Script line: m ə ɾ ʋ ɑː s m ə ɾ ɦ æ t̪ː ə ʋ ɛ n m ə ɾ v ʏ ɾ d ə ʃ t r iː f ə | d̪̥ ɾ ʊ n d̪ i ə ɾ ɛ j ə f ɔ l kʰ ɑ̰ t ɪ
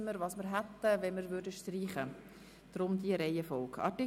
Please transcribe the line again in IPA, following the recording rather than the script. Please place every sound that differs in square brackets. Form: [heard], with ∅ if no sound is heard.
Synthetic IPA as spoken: m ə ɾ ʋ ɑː s m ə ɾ ɦ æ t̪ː ə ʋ ɛ n m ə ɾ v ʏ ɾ d ə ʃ t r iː [χ] ə | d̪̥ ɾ ʊ [m] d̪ i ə ɾ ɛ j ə f ɔ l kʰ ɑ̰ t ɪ